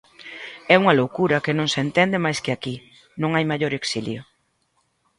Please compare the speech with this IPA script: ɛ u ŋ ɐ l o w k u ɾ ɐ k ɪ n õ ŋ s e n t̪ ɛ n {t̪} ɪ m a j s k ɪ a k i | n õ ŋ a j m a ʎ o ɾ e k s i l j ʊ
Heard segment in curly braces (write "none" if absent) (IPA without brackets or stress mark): d̪